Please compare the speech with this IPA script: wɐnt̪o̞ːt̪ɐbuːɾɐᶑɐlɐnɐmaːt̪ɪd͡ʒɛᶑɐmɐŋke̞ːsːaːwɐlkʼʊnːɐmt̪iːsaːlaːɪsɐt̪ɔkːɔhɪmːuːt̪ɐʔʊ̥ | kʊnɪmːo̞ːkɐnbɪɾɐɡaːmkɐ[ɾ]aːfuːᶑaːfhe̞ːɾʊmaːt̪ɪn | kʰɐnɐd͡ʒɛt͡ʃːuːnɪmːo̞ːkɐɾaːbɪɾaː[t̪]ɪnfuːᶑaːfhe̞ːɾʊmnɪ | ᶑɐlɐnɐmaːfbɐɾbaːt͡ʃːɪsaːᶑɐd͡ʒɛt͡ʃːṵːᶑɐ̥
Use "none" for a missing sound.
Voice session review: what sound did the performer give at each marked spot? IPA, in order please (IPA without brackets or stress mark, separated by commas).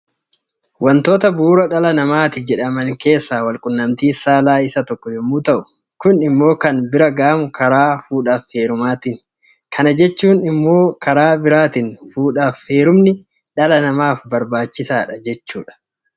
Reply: ɾ, t̪